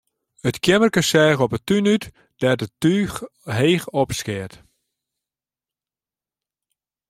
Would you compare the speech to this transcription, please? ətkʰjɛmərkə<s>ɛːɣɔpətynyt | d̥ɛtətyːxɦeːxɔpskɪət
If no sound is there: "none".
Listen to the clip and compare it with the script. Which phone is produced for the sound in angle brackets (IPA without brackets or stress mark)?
s